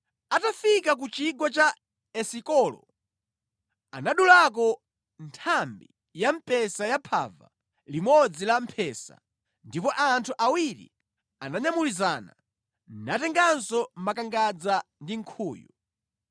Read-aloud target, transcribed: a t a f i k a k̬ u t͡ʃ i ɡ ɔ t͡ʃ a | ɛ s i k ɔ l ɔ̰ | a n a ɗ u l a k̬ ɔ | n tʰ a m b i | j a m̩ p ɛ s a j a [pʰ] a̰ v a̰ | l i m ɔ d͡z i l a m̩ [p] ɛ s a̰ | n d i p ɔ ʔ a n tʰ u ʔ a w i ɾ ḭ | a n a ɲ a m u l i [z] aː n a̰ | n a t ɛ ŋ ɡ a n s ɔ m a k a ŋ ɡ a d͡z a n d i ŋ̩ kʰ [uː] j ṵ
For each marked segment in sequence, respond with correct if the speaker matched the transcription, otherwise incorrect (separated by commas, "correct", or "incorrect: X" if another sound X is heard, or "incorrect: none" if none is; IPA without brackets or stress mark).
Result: correct, incorrect: pʰ, correct, correct